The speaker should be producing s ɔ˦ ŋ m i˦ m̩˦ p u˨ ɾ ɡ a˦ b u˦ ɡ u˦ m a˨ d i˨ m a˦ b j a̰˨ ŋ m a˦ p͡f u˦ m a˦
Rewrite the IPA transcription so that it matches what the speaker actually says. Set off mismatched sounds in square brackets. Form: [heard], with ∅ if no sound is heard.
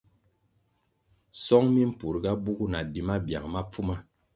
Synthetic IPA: s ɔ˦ ŋ m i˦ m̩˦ p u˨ ɾ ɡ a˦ b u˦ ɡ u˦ [n] a˨ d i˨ m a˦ b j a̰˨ ŋ m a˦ p͡f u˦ m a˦